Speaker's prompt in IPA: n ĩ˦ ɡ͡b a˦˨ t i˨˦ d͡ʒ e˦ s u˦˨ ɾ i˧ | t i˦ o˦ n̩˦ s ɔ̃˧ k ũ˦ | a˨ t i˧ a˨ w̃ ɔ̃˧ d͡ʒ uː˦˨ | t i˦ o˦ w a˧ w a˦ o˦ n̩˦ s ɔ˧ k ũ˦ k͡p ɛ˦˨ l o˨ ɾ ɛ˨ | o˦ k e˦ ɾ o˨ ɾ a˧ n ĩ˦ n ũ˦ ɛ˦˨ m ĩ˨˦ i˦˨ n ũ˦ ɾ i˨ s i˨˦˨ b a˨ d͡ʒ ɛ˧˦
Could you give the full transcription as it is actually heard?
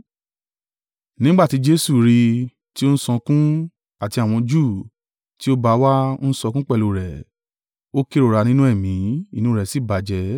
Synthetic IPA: n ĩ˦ ɡ͡b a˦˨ t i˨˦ d͡ʒ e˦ s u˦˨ ɾ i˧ | t i˦ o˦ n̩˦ s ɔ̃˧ k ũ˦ | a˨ t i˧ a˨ w̃ ɔ̃˧ d͡ʒ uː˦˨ | t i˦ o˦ b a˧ w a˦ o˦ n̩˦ s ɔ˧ k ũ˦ k͡p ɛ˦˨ l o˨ ɾ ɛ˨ | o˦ k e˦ ɾ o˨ ɾ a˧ n ĩ˦ n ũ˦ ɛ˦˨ m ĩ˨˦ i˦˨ n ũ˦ ɾ ɛ˨ s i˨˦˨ b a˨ d͡ʒ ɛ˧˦